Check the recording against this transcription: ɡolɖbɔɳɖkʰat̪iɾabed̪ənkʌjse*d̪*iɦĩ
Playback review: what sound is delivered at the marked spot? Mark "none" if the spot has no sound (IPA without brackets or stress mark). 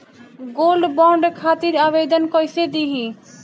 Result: d̪